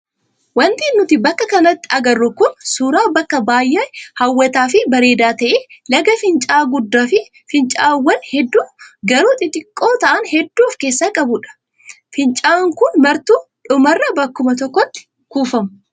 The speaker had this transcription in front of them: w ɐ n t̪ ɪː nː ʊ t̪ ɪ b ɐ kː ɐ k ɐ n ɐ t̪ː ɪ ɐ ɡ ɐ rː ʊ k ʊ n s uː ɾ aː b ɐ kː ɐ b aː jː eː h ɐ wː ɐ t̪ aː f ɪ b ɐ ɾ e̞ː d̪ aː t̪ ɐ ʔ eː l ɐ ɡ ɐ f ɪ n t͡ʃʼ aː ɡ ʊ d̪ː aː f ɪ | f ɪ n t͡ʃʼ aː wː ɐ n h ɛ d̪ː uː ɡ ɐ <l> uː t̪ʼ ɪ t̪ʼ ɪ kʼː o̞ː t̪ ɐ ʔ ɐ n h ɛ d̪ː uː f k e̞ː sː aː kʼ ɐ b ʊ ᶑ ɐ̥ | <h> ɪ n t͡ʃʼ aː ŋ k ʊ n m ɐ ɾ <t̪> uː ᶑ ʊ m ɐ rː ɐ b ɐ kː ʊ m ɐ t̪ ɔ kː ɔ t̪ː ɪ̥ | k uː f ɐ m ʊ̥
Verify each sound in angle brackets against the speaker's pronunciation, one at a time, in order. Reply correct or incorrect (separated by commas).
incorrect, incorrect, correct